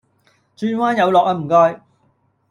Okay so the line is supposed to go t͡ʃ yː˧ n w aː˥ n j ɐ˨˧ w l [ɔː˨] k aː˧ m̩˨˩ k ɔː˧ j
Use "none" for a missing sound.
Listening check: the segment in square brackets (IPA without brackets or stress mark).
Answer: ɔː˨